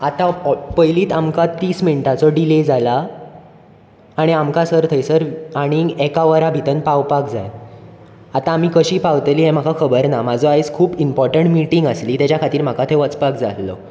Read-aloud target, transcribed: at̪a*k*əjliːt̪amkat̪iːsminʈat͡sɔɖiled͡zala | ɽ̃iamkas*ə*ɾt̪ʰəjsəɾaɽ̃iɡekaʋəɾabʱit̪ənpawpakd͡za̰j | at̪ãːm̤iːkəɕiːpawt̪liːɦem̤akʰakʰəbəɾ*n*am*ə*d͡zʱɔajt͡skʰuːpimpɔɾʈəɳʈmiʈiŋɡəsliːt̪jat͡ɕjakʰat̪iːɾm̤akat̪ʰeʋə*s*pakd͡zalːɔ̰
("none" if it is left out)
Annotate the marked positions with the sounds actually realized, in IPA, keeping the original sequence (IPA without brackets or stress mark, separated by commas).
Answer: p, ə, n, a, t͡s